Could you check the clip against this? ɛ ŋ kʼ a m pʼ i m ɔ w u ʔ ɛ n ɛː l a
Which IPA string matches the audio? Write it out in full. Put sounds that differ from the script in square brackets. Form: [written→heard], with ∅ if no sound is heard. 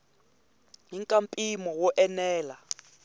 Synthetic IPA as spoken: [ɛ→i] ŋ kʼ a m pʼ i m ɔ w [u→ɔ] ʔ ɛ n ɛː l a